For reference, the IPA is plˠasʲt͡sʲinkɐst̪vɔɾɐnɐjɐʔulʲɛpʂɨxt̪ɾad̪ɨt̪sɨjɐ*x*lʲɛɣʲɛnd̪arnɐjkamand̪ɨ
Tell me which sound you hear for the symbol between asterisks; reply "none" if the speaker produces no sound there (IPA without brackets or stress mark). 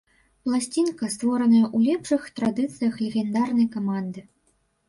x